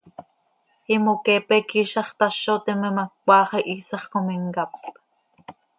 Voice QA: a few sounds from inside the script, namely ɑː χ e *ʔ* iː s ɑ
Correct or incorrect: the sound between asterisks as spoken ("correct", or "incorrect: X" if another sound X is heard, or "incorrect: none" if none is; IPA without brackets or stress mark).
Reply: correct